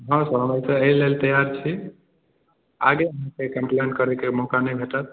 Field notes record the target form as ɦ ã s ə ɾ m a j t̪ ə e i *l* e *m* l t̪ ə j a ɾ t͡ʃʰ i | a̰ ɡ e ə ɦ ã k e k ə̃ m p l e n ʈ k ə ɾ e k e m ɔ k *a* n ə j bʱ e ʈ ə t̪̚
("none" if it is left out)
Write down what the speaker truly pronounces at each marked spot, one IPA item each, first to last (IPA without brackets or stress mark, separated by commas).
l, none, a